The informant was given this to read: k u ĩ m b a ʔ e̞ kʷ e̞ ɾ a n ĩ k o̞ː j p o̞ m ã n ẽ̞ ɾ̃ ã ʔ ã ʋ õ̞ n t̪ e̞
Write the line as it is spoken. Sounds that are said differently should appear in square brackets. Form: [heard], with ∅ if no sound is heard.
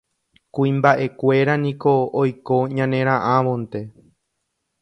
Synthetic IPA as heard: k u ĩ m b a ʔ e̞ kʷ e̞ ɾ a n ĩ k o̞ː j [k] o̞ [ɲ] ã n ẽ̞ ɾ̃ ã ʔ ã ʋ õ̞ n t̪ e̞